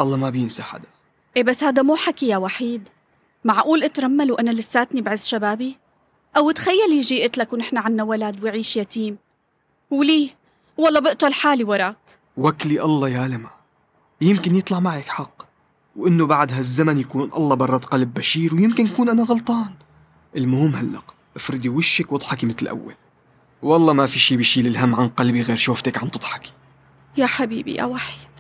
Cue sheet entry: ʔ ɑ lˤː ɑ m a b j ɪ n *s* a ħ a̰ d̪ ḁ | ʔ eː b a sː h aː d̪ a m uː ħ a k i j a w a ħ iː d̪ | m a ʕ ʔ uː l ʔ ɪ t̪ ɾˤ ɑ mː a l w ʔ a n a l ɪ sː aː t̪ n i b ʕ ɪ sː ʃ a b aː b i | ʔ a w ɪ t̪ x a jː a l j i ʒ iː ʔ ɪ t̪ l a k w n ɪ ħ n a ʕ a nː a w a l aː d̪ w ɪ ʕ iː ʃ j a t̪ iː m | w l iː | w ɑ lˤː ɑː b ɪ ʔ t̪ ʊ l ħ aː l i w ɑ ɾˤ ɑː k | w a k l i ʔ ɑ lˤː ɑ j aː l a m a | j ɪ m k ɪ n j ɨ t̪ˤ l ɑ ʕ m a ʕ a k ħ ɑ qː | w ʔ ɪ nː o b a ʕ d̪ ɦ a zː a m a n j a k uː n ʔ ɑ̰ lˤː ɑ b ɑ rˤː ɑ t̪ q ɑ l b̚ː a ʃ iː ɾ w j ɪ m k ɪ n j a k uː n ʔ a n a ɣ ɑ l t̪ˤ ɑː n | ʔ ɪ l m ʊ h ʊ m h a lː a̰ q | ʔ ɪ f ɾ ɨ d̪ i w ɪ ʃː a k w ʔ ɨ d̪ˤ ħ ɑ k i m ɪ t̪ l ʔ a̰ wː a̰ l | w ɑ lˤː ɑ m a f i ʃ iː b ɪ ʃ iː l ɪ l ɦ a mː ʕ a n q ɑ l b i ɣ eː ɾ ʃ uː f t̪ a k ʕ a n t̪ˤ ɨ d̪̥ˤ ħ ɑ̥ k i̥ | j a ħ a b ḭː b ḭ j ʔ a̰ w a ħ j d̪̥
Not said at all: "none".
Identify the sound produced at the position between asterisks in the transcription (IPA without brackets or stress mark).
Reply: s